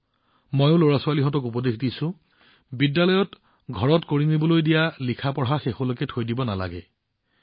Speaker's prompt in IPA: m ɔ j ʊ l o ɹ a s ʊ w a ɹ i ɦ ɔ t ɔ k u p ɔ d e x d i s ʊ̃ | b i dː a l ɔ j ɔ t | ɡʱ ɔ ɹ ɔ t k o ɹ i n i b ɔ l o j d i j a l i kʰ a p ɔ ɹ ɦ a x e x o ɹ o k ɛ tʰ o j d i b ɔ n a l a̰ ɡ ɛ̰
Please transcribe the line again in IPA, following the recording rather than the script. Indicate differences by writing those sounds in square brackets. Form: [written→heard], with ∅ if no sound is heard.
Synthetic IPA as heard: m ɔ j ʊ l o ɹ a s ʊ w a [ɹ→l] i ɦ ɔ t ɔ k u p ɔ d e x d i s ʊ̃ | b i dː a l ɔ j ɔ t | ɡʱ ɔ ɹ ɔ t k o ɹ i n i b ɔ l o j d i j a l i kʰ a p ɔ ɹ ɦ a x e x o [ɹ→l] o k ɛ tʰ o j d i b ɔ n a l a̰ ɡ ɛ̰

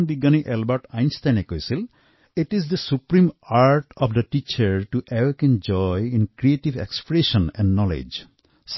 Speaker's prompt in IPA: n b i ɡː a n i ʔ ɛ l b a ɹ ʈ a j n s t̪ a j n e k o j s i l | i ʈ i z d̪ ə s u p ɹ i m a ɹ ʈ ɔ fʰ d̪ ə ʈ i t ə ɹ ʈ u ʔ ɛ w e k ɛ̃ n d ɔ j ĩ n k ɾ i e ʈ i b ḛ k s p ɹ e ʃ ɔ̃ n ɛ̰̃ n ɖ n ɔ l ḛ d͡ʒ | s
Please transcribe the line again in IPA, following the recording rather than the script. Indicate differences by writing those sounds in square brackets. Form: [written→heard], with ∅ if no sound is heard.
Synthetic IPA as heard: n b i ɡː a n i ʔ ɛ l b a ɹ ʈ a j n s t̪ a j n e k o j s i l | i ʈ i z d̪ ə s u p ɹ i m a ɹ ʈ ɔ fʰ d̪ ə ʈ i [t→t͡ʃ] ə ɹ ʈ u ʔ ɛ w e k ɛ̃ n [d→d͡ʒ] ɔ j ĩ n k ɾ i e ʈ i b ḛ k s p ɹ e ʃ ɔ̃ n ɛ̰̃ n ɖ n ɔ l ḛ d͡ʒ | s

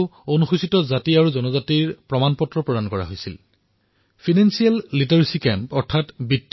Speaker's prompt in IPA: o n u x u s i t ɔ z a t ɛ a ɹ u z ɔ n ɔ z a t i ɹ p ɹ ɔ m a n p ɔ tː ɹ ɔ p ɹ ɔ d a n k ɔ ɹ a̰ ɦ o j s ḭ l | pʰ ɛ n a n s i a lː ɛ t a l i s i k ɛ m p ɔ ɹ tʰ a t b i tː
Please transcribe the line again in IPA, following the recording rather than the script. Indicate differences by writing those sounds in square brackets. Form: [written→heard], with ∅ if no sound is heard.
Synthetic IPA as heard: o n u x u s i t ɔ z a t [ɛ→i] a ɹ u z ɔ n ɔ z a t i ɹ p ɹ ɔ m a n p ɔ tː ɹ ɔ p ɹ ɔ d a n k ɔ ɹ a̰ ɦ o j s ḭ l | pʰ [ɛ→i] n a n s i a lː [ɛ→i] t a [l→ɹ] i s i k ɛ m p ɔ ɹ tʰ a t b i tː

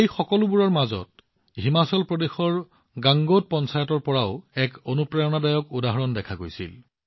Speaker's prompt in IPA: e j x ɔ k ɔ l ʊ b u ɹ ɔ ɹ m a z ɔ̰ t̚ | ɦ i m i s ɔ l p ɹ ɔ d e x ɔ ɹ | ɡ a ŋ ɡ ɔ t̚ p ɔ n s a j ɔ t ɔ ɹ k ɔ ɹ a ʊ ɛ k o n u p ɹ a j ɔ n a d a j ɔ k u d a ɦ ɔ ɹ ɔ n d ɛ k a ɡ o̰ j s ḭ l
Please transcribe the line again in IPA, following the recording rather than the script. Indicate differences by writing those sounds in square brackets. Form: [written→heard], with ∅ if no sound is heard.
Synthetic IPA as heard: e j x ɔ k ɔ l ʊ b u ɹ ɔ ɹ m a z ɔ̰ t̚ | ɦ i m [i→a] s ɔ l p ɹ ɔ d e x ɔ ɹ | ɡ a ŋ ɡ [ɔ→o] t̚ p ɔ n s a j ɔ t ɔ ɹ [k→p] ɔ ɹ a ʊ ɛ k o n u p ɹ a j ɔ n a d a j ɔ k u d a ɦ ɔ ɹ ɔ n d ɛ [k→kʰ] a ɡ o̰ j s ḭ l

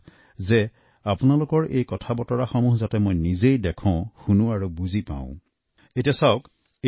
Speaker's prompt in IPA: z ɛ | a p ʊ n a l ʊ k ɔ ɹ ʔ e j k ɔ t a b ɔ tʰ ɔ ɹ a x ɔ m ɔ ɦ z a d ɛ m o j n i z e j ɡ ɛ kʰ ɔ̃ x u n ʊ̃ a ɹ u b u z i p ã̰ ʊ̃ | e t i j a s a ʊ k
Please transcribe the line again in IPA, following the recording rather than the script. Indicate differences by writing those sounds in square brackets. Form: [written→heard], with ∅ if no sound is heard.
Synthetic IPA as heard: z ɛ | a p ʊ n a l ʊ k ɔ ɹ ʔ e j k ɔ [t→tʰ] a b ɔ [tʰ→t] ɔ ɹ a x ɔ m [ɔ→u] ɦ z a [d→t] ɛ m o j n i z e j [ɡ→d] ɛ kʰ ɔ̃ x u n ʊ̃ a ɹ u b u z i p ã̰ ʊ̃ | e t i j a s a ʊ k

